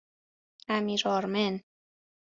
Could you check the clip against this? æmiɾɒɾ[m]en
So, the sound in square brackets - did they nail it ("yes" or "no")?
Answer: yes